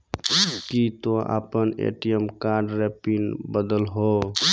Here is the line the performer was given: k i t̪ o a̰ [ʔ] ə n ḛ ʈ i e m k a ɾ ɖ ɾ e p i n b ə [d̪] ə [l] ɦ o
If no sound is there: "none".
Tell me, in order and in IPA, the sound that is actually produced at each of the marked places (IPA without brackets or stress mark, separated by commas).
p, d̪, l